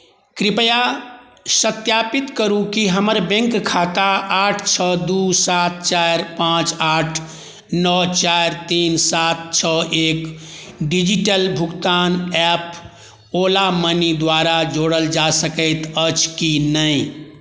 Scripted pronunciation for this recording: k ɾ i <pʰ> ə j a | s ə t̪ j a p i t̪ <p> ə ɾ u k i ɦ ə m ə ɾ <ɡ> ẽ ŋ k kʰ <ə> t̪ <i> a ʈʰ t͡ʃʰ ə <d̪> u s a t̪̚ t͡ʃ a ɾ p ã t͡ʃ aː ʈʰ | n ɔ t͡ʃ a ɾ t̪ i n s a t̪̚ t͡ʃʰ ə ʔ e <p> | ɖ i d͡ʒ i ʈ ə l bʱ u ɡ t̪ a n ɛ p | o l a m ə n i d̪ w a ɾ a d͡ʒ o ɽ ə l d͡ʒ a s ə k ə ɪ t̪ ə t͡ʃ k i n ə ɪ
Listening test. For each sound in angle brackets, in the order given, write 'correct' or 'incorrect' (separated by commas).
incorrect, incorrect, incorrect, incorrect, incorrect, correct, incorrect